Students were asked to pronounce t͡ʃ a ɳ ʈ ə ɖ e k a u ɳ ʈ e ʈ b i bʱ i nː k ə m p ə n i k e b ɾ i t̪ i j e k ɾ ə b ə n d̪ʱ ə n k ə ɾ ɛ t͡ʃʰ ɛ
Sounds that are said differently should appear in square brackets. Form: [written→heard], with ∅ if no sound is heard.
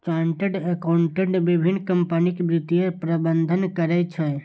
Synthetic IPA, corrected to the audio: t͡ʃ a ɳ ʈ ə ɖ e k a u ɳ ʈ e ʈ b i bʱ i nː k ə m p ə n i k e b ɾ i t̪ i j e [k→p] ɾ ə b ə n d̪ʱ ə n k ə ɾ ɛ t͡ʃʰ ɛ

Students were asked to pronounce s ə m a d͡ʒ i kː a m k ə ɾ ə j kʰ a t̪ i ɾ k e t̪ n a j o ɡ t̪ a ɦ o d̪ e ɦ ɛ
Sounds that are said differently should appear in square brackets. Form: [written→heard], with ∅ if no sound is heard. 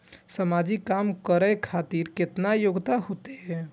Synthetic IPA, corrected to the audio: s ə m a d͡ʒ i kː a m k ə ɾ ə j kʰ a t̪ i ɾ k e t̪ n a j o ɡ t̪ a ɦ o [d̪→t̪] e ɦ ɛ

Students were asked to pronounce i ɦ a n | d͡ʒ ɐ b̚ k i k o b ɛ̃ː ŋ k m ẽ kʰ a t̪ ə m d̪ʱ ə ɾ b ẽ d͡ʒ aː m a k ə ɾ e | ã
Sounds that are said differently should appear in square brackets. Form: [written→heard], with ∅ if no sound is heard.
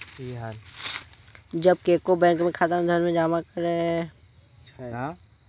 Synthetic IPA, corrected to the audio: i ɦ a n | d͡ʒ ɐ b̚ k [i→e] k o b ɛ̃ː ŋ k m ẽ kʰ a t̪ ə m d̪ʱ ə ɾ [b→m] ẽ d͡ʒ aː m a k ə ɾ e | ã

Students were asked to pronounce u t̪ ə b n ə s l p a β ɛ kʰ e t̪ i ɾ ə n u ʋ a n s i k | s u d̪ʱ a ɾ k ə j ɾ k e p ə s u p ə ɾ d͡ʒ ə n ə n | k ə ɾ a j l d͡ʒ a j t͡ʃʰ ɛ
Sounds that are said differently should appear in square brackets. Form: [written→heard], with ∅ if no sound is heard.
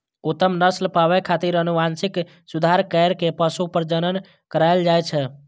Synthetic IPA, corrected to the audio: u t̪ ə [b→m] n ə s l p a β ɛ kʰ [e→a] t̪ i ɾ ə n u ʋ a n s i k | s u d̪ʱ a ɾ k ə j ɾ k e p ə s u p ə ɾ d͡ʒ ə n ə n | k ə ɾ a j l d͡ʒ a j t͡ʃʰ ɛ

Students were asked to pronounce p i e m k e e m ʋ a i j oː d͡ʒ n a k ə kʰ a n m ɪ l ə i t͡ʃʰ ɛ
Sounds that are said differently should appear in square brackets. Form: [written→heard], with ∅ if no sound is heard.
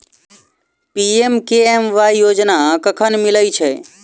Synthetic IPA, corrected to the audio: p i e m k e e m ʋ a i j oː d͡ʒ n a k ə kʰ [a→ə] n m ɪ l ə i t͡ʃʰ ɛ

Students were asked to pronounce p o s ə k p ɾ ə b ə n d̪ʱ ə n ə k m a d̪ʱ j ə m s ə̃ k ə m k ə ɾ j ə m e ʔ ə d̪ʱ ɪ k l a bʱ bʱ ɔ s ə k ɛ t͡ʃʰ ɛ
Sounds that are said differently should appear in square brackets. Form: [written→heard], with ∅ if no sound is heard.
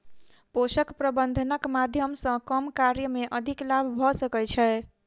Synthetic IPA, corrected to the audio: p o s ə k p ɾ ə b ə n d̪ʱ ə n ə k m a d̪ʱ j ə m s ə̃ k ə m k [ə→a] ɾ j ə m e ʔ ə d̪ʱ [ɪ→i] k l a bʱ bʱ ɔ s ə k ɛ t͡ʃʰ ɛ

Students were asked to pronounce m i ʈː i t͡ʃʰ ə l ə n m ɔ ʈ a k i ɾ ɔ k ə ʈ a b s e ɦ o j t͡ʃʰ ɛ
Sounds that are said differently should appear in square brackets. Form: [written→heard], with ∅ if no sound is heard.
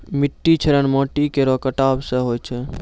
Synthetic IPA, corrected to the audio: m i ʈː i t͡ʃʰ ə [l→ɾ] ə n m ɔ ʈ [a→i] k [i→e] ɾ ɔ k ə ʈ a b s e ɦ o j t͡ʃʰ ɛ

